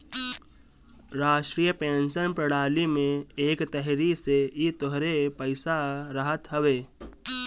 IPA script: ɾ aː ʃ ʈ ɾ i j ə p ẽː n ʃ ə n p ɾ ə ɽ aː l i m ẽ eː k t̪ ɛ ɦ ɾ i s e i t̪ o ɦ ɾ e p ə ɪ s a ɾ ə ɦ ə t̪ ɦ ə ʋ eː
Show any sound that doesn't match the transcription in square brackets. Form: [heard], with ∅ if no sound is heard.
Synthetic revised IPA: ɾ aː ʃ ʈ ɾ i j ə p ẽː n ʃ ə n p ɾ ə ɽ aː l i m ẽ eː k t̪ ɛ ɦ ɾ i s e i t̪ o ɦ ɾ e p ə ɪ s a ɾ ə ɦ ə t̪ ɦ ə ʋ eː